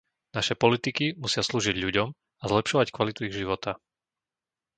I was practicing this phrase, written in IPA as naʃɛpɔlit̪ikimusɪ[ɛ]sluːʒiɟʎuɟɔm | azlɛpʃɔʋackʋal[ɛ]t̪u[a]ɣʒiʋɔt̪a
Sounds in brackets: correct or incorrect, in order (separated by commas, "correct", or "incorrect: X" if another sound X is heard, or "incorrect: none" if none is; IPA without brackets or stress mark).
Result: incorrect: a, incorrect: i, incorrect: i